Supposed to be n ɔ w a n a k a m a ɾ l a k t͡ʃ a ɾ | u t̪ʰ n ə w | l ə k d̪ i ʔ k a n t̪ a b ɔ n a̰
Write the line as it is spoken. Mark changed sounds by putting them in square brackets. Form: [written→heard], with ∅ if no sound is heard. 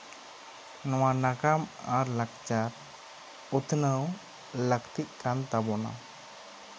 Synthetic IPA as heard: n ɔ w a n a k a m a ɾ l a k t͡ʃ a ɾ | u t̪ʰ n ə w | l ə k [d̪→t̪] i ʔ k a n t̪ a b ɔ n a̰